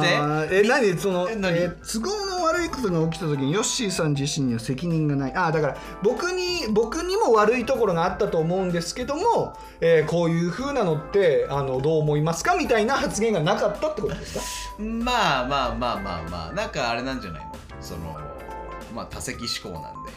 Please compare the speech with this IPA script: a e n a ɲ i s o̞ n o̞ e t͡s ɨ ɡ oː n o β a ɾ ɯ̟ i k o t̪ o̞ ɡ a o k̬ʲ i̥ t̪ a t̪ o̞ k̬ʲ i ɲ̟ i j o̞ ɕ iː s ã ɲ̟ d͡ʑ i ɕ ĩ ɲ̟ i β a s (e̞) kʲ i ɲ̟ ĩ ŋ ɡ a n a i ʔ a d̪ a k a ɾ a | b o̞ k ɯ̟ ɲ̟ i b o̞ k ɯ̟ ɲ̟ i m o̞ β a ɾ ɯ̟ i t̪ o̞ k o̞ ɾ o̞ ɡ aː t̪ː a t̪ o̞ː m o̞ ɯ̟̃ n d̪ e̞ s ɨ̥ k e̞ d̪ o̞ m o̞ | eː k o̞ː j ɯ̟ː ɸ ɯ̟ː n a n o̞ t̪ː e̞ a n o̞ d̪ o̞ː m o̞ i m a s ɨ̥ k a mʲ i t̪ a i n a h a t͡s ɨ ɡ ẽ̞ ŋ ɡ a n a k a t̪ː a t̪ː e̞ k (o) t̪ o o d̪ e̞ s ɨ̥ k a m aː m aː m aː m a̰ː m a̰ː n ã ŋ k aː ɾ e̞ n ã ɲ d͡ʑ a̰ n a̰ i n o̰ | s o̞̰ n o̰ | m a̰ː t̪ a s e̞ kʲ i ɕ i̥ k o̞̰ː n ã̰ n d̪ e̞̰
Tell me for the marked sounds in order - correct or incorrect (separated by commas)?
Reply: correct, correct